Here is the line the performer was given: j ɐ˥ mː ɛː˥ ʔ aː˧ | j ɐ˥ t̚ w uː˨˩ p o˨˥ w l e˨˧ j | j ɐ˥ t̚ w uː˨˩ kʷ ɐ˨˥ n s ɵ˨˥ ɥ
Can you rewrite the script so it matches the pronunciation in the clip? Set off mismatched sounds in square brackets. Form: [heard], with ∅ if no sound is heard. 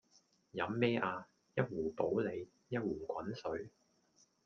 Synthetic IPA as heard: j [ɐ˨˥] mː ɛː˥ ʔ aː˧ | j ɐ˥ t̚ w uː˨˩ p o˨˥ w l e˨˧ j | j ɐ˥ t̚ w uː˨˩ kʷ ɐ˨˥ n s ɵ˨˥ ɥ